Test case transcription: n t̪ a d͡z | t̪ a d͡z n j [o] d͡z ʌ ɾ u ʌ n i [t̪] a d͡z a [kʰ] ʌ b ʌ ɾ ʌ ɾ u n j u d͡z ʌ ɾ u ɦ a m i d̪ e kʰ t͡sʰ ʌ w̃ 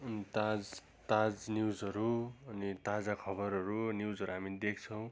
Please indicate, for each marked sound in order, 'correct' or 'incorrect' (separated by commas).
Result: incorrect, correct, correct